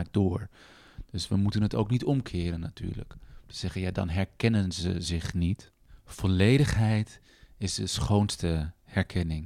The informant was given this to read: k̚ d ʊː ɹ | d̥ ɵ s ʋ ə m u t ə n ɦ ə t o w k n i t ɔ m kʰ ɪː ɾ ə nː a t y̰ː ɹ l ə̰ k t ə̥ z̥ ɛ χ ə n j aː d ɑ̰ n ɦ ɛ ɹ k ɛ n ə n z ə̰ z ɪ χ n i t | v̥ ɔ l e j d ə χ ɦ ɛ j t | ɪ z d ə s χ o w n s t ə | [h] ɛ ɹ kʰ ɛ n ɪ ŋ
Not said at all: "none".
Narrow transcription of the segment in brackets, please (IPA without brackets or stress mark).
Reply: h